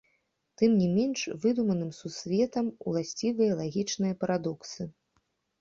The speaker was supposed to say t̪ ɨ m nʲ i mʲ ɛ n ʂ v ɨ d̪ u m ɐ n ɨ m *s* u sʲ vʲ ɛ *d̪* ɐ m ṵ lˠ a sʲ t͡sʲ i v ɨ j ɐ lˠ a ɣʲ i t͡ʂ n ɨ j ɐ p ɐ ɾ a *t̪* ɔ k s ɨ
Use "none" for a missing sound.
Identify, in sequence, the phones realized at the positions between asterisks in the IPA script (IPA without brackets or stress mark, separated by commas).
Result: s, t̪, d̪